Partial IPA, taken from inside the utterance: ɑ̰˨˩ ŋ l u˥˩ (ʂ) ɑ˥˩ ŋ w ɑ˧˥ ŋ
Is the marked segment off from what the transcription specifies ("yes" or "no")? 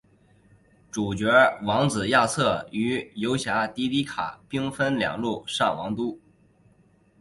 no